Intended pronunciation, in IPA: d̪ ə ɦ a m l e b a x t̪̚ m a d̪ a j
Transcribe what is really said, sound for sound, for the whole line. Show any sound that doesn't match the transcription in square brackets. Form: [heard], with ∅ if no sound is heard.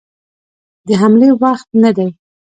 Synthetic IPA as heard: d̪ ə ɦ a m l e [w] a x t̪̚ [n] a d̪ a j